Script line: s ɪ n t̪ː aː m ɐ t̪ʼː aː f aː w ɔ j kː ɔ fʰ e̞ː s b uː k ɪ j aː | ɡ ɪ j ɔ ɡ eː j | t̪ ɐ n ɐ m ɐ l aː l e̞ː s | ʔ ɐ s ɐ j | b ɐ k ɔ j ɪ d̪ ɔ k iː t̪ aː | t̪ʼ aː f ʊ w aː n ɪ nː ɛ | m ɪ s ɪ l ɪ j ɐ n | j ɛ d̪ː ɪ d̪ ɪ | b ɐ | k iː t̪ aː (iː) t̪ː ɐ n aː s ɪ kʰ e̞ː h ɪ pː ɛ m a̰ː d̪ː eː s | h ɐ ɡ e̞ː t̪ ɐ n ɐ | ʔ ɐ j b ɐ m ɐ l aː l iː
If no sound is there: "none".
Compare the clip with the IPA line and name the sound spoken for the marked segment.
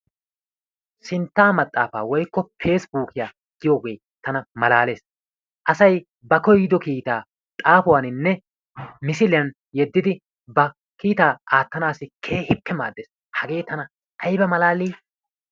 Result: aː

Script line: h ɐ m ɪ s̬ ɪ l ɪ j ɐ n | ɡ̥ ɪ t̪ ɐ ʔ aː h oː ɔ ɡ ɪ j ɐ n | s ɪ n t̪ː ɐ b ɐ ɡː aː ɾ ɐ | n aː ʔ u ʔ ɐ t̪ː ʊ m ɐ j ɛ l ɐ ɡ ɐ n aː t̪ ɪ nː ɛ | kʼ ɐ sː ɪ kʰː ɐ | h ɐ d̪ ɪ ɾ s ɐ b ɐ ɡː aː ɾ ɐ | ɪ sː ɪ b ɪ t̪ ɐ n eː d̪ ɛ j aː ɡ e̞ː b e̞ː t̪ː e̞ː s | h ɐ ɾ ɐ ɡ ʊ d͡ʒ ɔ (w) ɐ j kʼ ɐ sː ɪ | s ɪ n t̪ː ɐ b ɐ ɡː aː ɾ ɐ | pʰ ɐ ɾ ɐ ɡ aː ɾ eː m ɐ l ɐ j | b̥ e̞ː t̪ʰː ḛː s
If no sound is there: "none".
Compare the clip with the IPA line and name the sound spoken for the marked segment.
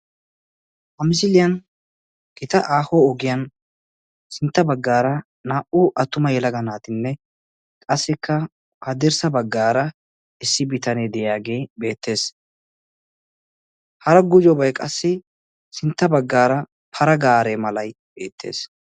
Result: b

